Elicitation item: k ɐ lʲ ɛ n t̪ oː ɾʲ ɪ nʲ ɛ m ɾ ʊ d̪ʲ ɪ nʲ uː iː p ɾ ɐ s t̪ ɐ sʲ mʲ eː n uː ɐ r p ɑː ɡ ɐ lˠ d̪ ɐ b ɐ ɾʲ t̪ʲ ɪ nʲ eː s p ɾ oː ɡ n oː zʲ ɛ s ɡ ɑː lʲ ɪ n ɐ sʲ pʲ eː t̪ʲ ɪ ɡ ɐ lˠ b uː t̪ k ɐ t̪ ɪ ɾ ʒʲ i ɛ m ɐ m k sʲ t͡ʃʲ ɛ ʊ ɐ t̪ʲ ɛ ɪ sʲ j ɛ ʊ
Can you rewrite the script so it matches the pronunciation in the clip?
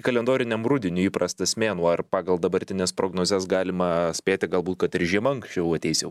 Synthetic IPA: k ɐ lʲ ɛ n d̪ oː ɾʲ ɪ nʲ ɛ m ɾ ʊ d̪ʲ ɪ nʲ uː iː p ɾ ɐ s t̪ ɐ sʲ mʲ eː n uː ɐ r p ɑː ɡ ɐ lˠ d̪ ɐ b ɐ ɾʲ t̪ʲ ɪ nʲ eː s p ɾ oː ɡ n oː zʲ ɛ s ɡ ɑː lʲ ɪ m ɐ sʲ pʲ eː t̪ʲ ɪ ɡ ɐ lˠ b uː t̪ k ɐ t̪ ɪ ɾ ʒʲ i ɛ m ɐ ŋ k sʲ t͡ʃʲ ɛ ʊ ɐ t̪ʲ ɛ ɪ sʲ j ɛ ʊ

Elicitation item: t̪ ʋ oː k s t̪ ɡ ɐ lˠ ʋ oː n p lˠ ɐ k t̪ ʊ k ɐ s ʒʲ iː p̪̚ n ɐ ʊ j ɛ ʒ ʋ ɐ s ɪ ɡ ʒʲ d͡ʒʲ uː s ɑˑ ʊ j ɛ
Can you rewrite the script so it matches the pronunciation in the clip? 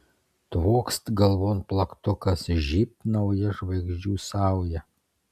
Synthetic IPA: t̪ ʋ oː k s t̪ ɡ ɐ lˠ ʋ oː n p lˠ ɐ k t̪ ʊ k ɐ s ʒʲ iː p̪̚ n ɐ ʊ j ɛ ʒ ʋ ɐ ɪ ɡ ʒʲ d͡ʒʲ uː s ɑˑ ʊ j ɛ

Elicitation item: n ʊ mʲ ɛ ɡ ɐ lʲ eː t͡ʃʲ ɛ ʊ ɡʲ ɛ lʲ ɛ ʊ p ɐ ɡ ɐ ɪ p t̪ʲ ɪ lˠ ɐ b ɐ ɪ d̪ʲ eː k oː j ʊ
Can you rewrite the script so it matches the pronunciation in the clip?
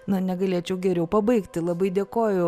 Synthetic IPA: n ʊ nʲ ɛ ɡ ɐ lʲ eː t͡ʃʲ ɛ ʊ ɡʲ ɛ ɾʲ ɛ ʊ p ɐ b ɐ ɪ k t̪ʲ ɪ lˠ ɐ b ɐ ɪ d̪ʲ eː k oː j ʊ

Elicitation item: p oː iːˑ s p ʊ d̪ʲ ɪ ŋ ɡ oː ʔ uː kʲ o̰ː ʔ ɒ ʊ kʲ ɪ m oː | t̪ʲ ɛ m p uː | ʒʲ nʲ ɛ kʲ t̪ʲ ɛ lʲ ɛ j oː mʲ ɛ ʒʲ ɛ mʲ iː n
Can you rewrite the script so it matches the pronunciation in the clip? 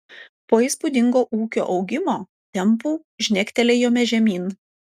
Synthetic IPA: p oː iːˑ s p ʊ d̪ʲ ɪ ŋ ɡ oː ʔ uː kʲ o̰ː ʔ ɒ ʊ ɡʲ ɪ m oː | t̪ʲ ɛ m p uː | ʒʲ nʲ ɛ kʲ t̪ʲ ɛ lʲ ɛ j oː mʲ ɛ ʒʲ ɛ mʲ iː n

